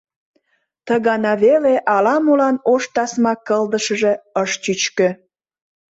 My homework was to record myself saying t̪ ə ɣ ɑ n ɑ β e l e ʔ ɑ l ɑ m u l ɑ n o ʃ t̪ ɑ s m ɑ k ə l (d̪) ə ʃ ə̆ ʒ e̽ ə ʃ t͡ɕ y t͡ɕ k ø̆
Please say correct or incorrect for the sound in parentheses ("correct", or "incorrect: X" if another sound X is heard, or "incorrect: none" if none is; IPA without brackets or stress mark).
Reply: correct